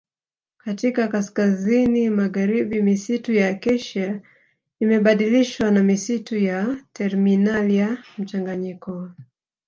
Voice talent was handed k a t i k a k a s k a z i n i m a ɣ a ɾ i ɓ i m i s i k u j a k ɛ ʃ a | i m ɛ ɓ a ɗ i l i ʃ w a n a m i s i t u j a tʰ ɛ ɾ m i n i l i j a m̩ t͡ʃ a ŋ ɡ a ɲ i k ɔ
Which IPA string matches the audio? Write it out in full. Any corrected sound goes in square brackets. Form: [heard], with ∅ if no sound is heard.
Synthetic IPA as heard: k a t i k a k a s k a z i n i m a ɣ a ɾ i ɓ i m i s i [t] u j a k ɛ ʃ a | i m ɛ ɓ a ɗ i l i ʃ w a n a m i s i t u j a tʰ ɛ ɾ m i n [a] l i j a m̩ t͡ʃ a ŋ ɡ a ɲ i k ɔ